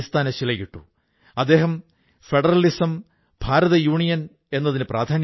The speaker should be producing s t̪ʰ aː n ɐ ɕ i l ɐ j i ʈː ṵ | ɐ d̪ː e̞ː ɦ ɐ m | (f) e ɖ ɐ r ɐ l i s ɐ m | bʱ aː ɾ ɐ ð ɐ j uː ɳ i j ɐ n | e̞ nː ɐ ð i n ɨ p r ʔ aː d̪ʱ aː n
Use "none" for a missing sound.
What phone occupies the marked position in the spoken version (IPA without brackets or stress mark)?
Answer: f